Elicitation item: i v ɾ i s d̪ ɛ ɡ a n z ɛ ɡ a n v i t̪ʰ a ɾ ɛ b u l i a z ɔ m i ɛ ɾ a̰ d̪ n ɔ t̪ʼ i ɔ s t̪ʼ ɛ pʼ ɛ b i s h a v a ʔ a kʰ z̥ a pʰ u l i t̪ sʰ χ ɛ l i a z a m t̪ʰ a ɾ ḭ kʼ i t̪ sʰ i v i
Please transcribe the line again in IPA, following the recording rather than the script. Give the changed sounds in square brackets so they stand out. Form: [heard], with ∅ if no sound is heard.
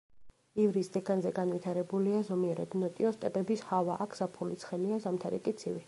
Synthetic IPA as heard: i v ɾ i s d̪ ɛ ɡ a n z ɛ ɡ a n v i t̪ʰ a ɾ ɛ b u l i a z ɔ m i ɛ ɾ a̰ d̪ n ɔ t̪ʼ i ɔ s t̪ʼ ɛ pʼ ɛ b i s h a v a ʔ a kʰ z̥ a pʰ u l i t̪ sʰ χ ɛ l i a z a m t̪ʰ a ɾ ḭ kʼ i t̪ sʰ i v i